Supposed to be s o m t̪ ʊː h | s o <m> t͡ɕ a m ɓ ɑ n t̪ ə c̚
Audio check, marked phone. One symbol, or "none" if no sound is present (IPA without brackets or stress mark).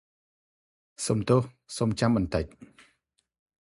m